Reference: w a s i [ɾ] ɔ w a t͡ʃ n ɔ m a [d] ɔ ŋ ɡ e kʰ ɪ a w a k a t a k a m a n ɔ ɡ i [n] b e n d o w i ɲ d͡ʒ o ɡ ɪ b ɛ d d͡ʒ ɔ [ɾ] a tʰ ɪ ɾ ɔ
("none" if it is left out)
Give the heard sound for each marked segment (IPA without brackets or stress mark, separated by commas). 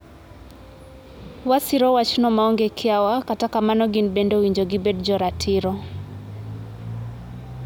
ɾ, none, n, ɾ